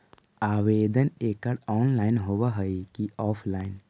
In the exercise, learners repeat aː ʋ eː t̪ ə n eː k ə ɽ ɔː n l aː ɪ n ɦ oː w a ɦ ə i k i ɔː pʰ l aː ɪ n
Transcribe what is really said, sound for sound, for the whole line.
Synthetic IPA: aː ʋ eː d̪ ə n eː k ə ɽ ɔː n l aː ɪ n ɦ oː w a ɦ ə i k i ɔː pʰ l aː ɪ n